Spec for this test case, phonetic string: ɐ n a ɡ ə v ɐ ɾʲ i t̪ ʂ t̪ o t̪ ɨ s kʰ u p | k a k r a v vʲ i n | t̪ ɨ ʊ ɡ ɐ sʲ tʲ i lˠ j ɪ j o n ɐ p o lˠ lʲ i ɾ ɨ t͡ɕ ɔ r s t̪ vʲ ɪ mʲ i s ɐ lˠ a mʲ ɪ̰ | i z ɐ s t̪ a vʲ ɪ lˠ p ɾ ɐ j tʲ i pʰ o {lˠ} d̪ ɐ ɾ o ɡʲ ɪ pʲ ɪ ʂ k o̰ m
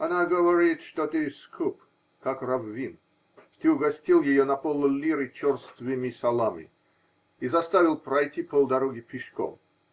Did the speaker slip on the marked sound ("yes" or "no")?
no